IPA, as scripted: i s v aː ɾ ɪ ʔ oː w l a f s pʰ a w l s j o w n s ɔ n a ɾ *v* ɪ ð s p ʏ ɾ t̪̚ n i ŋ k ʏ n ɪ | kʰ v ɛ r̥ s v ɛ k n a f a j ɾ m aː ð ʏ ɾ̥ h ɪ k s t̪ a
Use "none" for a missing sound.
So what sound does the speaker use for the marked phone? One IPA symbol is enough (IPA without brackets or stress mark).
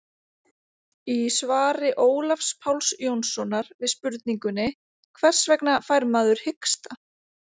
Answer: v